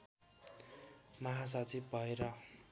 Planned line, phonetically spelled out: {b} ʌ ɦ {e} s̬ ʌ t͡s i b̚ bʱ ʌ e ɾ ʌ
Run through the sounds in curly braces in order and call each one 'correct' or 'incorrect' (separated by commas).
incorrect, incorrect